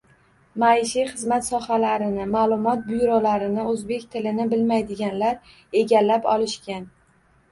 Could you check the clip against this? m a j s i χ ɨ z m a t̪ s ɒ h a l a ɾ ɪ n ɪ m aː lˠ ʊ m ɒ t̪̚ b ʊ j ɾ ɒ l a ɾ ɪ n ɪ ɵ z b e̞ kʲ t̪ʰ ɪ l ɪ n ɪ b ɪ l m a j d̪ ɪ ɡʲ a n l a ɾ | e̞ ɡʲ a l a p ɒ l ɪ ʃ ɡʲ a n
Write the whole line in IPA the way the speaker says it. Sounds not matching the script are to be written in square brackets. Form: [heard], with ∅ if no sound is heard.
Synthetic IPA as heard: m a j [ʃ] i χ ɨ z m a t̪ s ɒ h a l a ɾ ɪ n ɪ m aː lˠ ʊ m ɒ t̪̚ b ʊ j ɾ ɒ l a ɾ ɪ n ɪ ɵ z b e̞ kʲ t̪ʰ ɪ l ɪ n ɪ b ɪ l m a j d̪ ɪ ɡʲ a n l a ɾ | e̞ ɡʲ a [lː] a p ɒ l ɪ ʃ [kʲ] a n